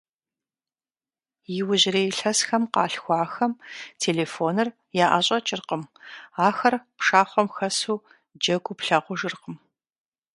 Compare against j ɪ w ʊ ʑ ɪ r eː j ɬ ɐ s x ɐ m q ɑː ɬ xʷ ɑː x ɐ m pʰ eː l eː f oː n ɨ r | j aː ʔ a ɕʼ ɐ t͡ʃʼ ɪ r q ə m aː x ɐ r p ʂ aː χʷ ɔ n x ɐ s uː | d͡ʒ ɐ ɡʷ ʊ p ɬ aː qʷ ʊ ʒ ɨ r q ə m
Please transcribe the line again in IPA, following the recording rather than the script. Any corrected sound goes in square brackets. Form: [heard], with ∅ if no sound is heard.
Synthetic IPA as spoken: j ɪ w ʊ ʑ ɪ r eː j ɬ ɐ s x ɐ m q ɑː ɬ xʷ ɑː x ɐ m [tʰ] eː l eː f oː n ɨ r | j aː ʔ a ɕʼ ɐ t͡ʃʼ ɪ r q ə m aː x ɐ r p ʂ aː χʷ ɔ [m] x ɐ s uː | d͡ʒ ɐ ɡʷ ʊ p ɬ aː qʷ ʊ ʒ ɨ r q ə m